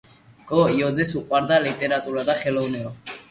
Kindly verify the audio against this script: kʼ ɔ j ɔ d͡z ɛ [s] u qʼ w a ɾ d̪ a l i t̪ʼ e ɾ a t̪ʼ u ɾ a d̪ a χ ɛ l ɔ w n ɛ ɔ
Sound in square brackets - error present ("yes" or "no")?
no